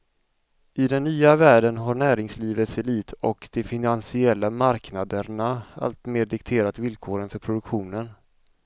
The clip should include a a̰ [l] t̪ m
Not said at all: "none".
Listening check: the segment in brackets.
l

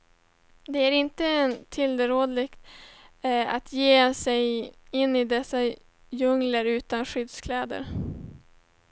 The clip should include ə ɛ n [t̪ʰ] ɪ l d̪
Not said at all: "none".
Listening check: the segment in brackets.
t̪ʰ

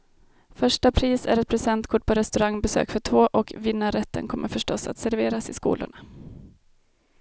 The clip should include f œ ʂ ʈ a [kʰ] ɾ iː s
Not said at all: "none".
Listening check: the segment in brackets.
pʰ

